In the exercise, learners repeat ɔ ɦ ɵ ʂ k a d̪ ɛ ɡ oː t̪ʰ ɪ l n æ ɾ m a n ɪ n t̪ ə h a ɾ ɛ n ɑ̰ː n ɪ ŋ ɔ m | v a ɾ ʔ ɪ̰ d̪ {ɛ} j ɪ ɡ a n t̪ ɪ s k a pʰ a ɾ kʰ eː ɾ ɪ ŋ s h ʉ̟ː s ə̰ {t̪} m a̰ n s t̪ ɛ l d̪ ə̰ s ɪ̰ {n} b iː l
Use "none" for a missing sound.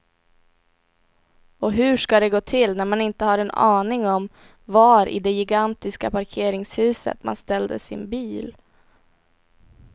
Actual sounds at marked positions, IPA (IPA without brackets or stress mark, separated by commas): ɛ, t̪, n